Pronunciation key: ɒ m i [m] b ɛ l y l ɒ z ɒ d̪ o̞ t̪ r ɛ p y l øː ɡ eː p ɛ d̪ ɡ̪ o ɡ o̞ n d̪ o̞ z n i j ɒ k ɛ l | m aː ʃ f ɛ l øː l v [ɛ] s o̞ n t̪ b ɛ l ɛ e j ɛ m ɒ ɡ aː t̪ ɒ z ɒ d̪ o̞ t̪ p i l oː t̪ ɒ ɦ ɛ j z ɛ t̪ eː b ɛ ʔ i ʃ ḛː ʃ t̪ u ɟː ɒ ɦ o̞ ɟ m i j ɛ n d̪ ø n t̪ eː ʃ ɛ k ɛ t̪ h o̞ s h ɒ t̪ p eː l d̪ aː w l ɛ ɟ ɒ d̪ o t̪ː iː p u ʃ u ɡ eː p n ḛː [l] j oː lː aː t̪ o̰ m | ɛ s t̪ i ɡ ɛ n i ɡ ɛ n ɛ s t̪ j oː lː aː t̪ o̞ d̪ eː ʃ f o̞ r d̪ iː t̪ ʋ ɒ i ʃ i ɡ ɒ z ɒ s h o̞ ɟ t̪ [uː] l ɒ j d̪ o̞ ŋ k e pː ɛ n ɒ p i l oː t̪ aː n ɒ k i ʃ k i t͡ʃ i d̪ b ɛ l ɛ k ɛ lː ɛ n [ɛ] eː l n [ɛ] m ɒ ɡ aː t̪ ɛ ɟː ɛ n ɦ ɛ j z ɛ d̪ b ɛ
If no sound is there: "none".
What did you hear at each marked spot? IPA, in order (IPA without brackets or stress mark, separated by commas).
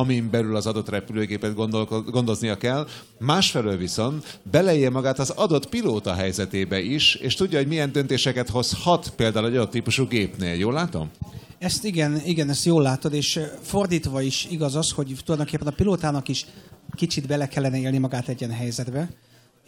m, i, l, u, ɛ, i